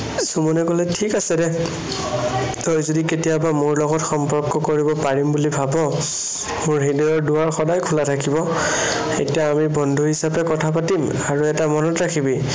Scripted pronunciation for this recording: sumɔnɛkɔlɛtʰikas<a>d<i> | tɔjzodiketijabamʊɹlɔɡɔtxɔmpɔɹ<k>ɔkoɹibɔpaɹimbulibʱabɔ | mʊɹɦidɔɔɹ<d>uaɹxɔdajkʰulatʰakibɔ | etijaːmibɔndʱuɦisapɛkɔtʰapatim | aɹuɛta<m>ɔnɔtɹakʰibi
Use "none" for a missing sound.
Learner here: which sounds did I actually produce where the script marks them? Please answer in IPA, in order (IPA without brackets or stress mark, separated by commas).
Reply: ɛ, ɛ, k, d, m